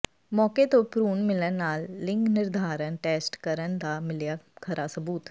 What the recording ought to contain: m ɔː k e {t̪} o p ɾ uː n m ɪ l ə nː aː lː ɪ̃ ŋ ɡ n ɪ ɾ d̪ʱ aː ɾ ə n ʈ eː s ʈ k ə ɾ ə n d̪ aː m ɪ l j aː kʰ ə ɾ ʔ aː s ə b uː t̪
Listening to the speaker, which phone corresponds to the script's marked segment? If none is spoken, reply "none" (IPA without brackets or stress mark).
t̪